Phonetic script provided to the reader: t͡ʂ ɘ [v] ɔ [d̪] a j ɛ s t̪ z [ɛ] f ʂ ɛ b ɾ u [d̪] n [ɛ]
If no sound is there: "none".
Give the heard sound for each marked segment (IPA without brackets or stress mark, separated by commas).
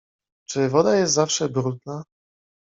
v, d̪, a, d̪, a